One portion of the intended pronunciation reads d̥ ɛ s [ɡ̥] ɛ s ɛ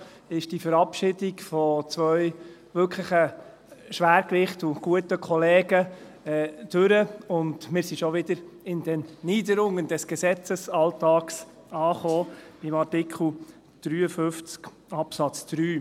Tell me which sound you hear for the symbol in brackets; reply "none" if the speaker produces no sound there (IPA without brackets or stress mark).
ɡ̥